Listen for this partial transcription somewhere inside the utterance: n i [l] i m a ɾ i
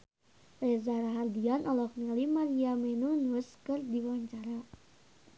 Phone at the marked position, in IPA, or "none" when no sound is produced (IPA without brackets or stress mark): l